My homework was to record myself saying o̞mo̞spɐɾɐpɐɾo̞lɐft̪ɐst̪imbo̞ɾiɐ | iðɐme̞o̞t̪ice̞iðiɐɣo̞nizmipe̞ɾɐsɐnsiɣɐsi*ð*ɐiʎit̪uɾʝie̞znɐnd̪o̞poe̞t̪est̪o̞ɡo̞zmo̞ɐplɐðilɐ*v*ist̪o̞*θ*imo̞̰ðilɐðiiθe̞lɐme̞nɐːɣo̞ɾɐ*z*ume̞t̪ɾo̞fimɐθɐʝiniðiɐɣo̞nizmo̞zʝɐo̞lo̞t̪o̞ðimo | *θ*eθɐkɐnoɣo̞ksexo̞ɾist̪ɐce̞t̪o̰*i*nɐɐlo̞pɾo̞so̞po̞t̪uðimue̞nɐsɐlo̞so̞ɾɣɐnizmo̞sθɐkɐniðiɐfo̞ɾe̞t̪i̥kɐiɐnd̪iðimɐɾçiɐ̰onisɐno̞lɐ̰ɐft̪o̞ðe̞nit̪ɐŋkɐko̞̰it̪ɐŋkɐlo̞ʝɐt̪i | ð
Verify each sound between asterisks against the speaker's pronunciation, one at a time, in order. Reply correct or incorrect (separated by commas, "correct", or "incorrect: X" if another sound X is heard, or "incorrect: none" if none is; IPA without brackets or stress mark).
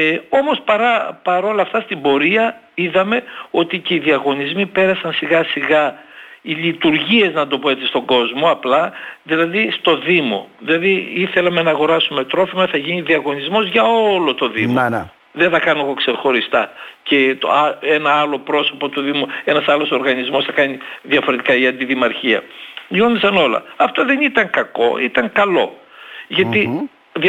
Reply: incorrect: ɣ, incorrect: ð, incorrect: ð, incorrect: s, incorrect: ð, incorrect: e